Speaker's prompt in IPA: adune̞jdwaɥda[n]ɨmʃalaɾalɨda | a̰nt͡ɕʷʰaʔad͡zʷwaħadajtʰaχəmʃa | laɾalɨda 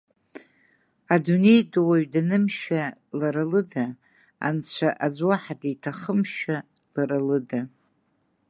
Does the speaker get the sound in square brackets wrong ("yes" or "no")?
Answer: no